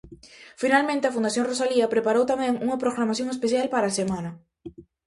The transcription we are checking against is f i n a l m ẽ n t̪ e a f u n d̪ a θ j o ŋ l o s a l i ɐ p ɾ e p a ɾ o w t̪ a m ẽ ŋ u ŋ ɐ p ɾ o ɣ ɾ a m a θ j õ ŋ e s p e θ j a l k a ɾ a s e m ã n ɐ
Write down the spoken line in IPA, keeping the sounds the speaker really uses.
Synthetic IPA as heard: f i n a l m ẽ n t̪ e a f u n d̪ a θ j o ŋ r o s a l i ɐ p ɾ e p a ɾ o w t̪ a m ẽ ŋ u ŋ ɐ p ɾ o ɣ ɾ a m a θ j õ ŋ e s p e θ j a l p a ɾ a s e m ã n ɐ